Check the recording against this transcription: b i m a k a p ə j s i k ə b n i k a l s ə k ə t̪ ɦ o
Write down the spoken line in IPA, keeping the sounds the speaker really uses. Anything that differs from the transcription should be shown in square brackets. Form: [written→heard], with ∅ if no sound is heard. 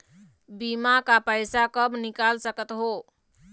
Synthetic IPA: b i m a k a p ə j s [i→a] k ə b n i k a l s ə k ə t̪ ɦ o